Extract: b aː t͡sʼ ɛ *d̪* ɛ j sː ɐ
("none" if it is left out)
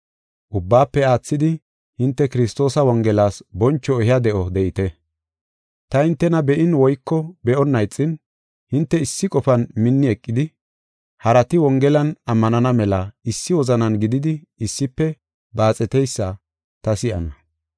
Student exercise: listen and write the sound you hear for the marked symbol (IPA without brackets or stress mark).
t̪